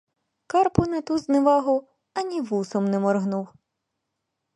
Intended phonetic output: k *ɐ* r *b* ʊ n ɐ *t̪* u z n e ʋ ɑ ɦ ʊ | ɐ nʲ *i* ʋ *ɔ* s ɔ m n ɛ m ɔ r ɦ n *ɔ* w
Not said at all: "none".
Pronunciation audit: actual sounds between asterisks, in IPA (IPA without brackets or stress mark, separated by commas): ɑ, p, t̪, i, u, u